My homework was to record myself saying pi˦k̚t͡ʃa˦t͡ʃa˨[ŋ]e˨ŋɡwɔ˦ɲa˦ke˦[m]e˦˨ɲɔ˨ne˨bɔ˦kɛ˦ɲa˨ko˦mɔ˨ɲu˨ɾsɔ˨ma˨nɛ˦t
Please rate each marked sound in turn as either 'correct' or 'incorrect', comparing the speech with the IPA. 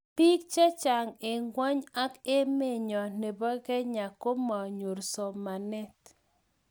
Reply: correct, correct

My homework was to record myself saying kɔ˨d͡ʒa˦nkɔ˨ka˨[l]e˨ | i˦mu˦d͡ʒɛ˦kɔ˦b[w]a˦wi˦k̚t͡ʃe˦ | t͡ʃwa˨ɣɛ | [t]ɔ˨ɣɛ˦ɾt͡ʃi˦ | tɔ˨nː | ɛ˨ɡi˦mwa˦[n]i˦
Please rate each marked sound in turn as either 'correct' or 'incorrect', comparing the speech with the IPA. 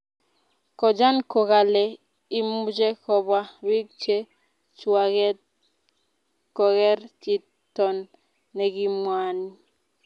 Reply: correct, correct, incorrect: k, correct

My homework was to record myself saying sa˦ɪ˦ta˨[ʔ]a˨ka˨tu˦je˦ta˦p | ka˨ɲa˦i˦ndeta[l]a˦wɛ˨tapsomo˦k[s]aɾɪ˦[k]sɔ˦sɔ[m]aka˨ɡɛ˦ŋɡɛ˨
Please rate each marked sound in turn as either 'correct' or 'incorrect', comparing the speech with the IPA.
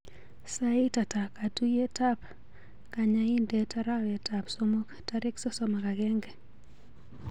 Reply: incorrect: t, incorrect: ɾ, incorrect: t, correct, correct

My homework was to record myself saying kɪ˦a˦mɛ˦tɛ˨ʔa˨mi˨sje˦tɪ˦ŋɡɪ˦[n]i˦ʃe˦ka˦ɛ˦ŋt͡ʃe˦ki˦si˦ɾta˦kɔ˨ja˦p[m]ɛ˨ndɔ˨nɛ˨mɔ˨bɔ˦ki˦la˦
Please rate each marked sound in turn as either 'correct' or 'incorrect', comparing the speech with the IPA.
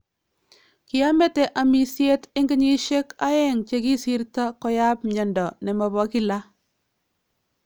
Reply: incorrect: ɲ, incorrect: ɲ

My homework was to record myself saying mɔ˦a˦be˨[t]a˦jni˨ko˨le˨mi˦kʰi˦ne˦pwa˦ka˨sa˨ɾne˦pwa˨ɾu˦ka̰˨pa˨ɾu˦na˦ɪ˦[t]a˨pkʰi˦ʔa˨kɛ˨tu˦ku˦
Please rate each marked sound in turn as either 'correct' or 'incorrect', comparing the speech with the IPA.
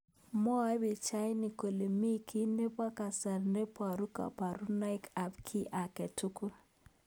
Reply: incorrect: t͡ʃ, incorrect: k

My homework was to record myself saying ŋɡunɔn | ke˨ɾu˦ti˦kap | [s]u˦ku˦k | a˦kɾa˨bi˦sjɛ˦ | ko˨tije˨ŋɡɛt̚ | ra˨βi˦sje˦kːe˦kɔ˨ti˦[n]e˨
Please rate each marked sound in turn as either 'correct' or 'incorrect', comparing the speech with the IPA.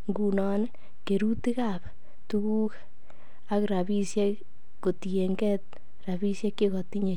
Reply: incorrect: t, incorrect: ɲ

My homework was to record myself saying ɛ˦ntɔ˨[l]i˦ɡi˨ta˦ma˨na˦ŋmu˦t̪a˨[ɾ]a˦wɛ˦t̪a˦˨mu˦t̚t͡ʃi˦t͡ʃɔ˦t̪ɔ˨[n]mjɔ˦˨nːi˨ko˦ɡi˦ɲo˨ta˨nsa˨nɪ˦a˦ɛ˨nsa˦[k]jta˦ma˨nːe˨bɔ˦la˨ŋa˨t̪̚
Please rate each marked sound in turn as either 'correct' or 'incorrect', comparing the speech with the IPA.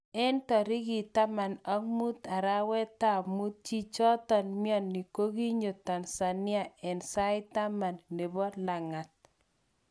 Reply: incorrect: ɾ, correct, correct, incorrect: none

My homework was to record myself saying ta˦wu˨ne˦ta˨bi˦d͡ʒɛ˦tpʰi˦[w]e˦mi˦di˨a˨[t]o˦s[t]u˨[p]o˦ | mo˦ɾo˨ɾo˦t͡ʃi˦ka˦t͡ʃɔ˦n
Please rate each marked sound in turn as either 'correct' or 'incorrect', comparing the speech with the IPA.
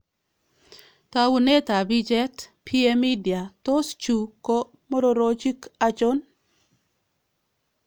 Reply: incorrect: none, correct, incorrect: t͡ʃ, incorrect: k

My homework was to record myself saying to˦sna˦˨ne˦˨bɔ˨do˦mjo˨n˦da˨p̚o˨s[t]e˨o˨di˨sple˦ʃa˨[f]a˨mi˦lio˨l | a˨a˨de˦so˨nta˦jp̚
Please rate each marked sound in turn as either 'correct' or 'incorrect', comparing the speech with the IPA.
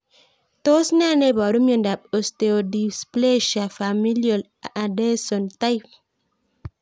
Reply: correct, correct

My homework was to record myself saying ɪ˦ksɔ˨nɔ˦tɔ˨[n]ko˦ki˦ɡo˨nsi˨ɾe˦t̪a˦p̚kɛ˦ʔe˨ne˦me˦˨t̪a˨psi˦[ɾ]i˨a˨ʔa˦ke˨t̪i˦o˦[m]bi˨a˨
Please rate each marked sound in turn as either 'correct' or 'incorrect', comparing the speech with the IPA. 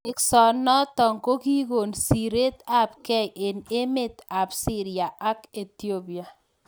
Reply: incorrect: ŋ, correct, incorrect: none

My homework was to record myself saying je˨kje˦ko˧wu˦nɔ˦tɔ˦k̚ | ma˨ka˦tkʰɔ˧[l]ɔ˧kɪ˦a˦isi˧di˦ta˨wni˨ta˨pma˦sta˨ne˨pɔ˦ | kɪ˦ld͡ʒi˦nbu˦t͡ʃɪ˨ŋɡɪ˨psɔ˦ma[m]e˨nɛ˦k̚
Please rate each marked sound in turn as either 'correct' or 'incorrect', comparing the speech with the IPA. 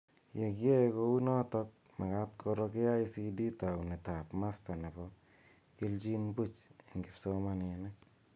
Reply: incorrect: ɾ, incorrect: n

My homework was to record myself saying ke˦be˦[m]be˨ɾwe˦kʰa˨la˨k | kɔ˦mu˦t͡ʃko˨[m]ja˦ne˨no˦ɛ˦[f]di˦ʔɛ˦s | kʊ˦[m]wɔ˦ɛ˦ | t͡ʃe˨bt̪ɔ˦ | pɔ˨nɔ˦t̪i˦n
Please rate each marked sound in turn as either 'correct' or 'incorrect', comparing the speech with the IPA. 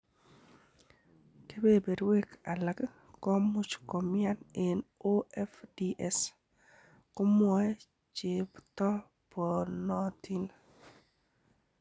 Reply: incorrect: none, correct, correct, correct

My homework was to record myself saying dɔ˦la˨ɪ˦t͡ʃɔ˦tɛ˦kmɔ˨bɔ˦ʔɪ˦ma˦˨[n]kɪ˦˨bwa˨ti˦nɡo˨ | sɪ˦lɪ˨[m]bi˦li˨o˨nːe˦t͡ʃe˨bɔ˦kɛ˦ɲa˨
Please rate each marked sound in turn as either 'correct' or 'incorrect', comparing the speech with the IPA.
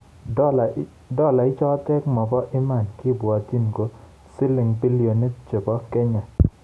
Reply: correct, incorrect: ŋ

